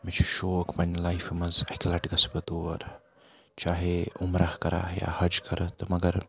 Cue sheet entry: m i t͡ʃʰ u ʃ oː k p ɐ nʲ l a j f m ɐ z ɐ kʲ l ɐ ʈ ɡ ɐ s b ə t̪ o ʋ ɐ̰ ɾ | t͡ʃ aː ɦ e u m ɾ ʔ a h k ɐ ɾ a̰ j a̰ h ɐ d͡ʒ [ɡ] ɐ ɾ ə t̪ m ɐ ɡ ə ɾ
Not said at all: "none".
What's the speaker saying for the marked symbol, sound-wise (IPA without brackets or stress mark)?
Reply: k